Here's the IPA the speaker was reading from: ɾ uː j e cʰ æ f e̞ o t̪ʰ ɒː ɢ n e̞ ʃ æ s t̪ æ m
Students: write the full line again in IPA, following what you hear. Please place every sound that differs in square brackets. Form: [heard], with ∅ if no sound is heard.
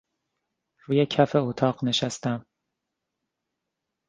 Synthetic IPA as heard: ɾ uː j e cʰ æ f e̞ o t̪ʰ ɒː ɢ n e̞ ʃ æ s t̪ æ m